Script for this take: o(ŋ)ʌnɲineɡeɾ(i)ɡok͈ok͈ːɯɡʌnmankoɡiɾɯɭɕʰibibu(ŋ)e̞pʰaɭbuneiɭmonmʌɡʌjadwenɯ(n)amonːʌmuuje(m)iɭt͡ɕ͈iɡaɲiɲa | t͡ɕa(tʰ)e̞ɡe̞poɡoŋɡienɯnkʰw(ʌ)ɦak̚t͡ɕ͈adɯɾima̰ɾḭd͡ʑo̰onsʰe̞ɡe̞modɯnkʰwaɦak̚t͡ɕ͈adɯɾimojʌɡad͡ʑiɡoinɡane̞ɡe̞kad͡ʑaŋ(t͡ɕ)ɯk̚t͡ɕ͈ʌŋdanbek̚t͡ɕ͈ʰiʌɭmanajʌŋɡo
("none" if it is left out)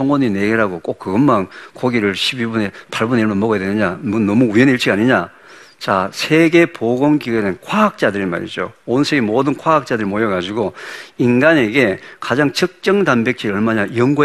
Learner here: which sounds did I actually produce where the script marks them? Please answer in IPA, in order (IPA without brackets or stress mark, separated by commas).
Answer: ŋ, a, n, ɲ, n, sʰ, a, t͡ɕ